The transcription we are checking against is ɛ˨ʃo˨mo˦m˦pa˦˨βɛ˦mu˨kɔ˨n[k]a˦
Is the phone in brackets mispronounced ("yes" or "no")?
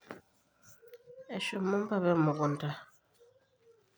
yes